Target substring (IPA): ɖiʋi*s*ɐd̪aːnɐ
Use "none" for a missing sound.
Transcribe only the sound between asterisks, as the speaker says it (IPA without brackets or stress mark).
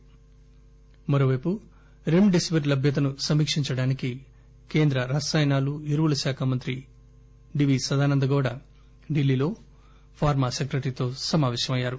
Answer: s